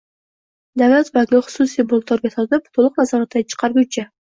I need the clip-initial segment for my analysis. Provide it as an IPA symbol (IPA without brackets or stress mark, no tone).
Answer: d̪